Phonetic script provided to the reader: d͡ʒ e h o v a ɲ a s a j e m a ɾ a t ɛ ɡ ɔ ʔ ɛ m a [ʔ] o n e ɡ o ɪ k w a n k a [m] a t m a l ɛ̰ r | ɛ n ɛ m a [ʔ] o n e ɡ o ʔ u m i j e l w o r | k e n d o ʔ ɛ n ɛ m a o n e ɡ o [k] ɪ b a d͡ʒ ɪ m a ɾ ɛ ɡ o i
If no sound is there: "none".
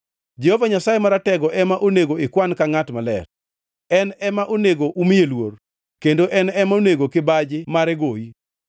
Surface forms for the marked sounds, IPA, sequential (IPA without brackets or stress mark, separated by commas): ʔ, ŋ, ʔ, k